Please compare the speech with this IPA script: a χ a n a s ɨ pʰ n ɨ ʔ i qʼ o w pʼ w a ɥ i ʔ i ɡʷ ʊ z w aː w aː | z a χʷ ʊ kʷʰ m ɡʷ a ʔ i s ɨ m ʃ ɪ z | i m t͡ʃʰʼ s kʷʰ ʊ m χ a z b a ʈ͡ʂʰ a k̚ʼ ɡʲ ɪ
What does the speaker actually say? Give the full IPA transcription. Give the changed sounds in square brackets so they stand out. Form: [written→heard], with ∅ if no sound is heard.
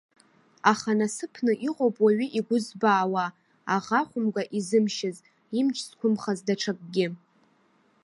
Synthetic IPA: a χ a n a s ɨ pʰ n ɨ ʔ i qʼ o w pʼ w a ɥ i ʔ i ɡʷ ʊ z [w→b] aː w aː | [z→ʁ] a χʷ ʊ [kʷʰ→∅] m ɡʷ a ʔ i [s→z] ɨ m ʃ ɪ z | i m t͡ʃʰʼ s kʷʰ ʊ m χ a z [b→d] a ʈ͡ʂʰ a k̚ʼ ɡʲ ɪ